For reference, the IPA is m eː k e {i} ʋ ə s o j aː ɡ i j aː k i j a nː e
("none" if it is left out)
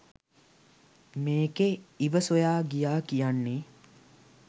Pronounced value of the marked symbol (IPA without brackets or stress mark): i